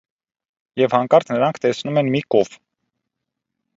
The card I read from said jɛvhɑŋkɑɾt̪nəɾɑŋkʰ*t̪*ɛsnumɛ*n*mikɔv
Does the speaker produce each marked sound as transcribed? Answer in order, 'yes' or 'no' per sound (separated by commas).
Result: yes, yes